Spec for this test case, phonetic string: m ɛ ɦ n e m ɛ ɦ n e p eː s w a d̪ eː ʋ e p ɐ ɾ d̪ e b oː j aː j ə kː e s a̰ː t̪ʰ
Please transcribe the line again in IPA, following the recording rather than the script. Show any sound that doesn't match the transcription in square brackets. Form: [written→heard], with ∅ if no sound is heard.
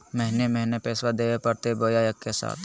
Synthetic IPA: m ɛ ɦ n e m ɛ ɦ n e p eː s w a d̪ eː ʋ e p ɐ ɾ [d̪→t̪] e b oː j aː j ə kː e s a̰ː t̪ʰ